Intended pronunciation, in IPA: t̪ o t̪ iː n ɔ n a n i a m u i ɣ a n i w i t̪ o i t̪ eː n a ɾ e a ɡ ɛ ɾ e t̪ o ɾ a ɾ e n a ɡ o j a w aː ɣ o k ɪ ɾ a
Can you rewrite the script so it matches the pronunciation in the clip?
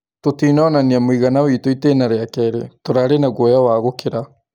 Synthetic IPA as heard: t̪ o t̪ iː n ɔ n a n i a m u i ɣ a n a w i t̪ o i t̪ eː n a ɾ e a k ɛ ɾ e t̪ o ɾ a ɾ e n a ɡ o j a w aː ɣ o k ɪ ɾ a